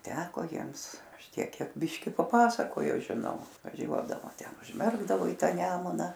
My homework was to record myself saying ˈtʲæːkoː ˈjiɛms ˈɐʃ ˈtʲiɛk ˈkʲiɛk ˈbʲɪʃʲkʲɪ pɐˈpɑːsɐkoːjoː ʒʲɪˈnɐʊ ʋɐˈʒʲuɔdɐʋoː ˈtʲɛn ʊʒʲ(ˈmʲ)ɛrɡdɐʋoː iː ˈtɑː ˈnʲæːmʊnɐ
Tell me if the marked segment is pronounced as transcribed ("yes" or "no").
yes